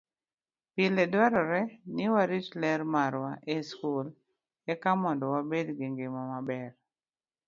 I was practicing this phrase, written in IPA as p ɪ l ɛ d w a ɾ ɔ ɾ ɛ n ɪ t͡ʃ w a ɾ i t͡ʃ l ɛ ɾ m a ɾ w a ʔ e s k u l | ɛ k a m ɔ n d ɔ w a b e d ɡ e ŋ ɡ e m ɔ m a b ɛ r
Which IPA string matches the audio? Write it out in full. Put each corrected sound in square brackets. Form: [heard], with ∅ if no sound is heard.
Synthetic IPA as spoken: p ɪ l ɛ d w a ɾ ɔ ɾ ɛ n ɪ [∅] w a ɾ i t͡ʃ l ɛ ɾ m a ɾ w a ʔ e s k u l | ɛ k a m ɔ n d ɔ w a b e d ɡ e ŋ ɡ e m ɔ m a b ɛ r